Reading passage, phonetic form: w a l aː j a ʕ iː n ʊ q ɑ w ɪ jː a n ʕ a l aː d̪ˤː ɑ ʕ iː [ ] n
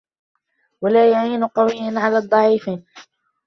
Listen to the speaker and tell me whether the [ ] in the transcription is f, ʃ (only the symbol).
f